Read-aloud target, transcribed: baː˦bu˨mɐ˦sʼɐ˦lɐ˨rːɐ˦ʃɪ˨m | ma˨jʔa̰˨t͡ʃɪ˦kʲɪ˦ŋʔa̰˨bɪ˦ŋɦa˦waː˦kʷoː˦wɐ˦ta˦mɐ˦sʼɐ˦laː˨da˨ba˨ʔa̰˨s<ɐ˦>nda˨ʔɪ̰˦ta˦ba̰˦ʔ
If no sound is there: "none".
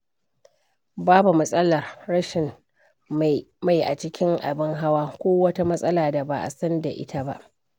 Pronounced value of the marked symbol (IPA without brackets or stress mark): ɐ˦